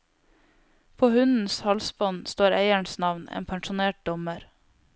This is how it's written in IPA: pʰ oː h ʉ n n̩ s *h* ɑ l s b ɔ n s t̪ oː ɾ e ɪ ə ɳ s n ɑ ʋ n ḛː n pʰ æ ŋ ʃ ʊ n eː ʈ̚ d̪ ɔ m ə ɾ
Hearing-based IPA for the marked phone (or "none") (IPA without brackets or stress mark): h